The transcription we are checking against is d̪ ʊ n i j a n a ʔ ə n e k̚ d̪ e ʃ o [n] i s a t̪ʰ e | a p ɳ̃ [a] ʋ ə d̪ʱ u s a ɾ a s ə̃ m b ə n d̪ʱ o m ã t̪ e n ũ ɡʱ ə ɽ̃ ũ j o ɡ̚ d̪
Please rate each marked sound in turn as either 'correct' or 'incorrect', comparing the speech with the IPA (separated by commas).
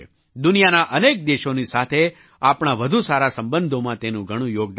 correct, correct